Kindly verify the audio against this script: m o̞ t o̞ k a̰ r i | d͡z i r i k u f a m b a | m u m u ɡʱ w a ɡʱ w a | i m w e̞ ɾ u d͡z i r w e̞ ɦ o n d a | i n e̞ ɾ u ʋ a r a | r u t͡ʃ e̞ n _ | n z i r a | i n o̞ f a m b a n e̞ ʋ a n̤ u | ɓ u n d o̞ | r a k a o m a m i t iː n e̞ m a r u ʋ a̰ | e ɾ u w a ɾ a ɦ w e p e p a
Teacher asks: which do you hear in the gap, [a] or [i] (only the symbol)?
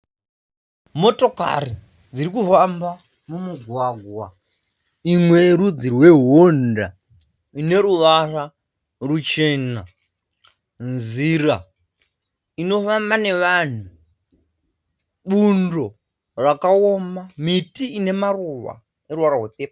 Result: a